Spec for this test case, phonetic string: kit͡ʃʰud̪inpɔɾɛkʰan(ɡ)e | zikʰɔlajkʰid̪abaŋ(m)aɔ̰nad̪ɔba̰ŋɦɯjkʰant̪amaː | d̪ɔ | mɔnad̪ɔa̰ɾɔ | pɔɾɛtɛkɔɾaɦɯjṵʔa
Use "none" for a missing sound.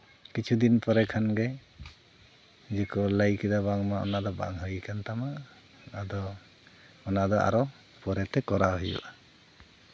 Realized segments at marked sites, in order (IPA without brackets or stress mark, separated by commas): ɡ, m